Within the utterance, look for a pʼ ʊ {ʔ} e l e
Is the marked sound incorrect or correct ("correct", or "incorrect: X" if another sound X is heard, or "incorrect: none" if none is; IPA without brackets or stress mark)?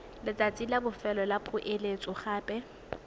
correct